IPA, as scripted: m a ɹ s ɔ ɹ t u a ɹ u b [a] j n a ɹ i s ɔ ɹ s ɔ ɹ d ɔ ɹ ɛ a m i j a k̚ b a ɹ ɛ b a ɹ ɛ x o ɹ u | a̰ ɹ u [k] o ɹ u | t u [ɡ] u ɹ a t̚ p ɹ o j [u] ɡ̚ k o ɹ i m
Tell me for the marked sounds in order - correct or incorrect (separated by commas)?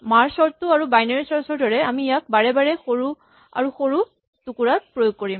correct, incorrect, incorrect, incorrect